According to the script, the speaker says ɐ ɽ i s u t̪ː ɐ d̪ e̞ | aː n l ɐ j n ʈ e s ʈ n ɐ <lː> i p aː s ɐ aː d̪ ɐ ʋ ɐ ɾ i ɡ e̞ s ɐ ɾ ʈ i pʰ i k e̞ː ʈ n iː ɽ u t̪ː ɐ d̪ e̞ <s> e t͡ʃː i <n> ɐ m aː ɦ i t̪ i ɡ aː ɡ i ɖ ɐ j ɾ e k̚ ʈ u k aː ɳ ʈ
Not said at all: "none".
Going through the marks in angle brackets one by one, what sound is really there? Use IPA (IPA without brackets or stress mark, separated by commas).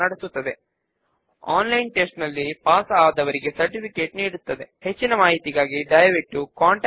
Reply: lː, h, n